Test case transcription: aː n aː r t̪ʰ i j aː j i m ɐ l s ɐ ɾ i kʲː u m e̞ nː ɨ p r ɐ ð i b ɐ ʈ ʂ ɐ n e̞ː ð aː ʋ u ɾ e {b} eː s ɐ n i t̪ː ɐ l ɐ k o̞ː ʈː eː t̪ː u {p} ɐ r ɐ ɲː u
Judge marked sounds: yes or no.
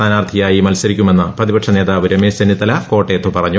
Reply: no, yes

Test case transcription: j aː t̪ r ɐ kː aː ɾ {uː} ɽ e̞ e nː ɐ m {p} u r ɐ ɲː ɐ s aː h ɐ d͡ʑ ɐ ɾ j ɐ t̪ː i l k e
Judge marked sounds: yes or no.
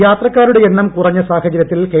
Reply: no, no

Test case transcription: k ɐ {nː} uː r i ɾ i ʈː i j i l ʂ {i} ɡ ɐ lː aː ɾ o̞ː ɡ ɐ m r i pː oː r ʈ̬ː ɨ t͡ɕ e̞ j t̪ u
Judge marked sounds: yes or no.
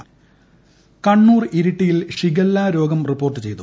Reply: no, yes

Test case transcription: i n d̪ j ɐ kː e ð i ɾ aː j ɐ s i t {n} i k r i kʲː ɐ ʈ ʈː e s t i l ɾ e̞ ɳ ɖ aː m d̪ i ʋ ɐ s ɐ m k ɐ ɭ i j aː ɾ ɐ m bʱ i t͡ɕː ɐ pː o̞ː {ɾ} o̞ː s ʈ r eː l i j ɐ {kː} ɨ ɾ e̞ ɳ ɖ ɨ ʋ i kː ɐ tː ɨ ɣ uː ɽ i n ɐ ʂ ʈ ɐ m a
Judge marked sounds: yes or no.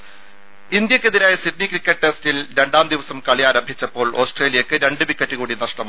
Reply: yes, no, yes

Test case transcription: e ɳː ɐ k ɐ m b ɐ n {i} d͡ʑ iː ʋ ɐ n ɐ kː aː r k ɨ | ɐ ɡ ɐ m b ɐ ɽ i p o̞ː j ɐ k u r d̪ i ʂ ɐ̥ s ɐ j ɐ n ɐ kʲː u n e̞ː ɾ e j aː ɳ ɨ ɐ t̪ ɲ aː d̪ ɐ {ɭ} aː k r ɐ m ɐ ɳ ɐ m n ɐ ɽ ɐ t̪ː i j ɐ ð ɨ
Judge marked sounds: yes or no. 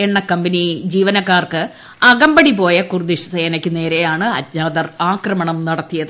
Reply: yes, no

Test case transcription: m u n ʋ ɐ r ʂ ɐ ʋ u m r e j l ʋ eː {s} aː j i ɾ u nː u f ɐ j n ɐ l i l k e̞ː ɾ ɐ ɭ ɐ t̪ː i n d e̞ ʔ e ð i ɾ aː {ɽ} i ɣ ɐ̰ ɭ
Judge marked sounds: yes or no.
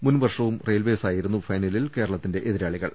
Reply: yes, no

